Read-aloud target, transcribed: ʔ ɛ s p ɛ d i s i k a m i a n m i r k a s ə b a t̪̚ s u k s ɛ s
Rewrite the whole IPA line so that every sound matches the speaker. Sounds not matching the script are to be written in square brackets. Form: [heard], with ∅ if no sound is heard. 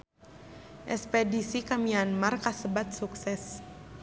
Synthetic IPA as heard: ʔ ɛ s p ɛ d i s i k a m i a n m [a] r k a s ə b a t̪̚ s u k s ɛ s